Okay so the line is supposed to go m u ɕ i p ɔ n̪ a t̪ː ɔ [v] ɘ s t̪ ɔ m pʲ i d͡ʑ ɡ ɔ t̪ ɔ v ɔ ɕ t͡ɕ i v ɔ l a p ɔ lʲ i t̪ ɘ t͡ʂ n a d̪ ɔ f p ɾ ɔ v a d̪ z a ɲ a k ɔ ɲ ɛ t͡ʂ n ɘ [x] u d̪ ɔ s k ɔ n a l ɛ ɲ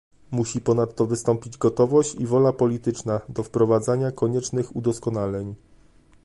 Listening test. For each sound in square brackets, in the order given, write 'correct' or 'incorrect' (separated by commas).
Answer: correct, correct